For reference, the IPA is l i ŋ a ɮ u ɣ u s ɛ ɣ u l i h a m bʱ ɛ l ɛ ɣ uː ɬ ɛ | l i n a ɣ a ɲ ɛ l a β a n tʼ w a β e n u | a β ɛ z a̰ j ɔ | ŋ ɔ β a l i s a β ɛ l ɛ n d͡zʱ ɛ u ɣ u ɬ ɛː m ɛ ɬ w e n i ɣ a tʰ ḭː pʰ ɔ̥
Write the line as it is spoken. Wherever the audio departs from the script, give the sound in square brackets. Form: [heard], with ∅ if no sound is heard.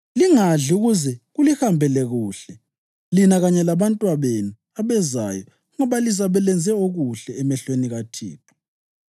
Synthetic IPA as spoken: l i ŋ a ɮ u ɣ u [z] ɛ ɣ u l i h a m bʱ ɛ l ɛ ɣ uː ɬ ɛ | l i n a ɣ a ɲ ɛ l a β a n tʼ w a β e n u | a β ɛ z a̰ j ɔ | ŋ ɔ β a l i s a β ɛ l ɛ n d͡zʱ ɛ [o] ɣ u ɬ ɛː m ɛ ɬ w e n i ɣ a tʰ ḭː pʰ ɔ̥